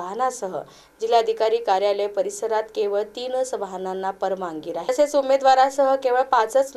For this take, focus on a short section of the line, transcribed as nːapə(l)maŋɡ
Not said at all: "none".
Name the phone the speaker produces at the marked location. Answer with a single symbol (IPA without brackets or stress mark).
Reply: ɾ